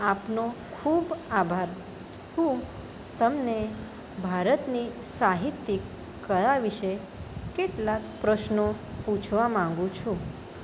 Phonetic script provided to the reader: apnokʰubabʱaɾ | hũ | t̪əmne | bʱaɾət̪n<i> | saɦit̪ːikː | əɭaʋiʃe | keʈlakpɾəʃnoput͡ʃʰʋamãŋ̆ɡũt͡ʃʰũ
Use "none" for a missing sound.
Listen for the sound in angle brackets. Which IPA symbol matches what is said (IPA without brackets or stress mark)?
i